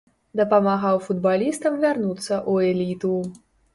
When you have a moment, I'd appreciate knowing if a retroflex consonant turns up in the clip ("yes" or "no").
no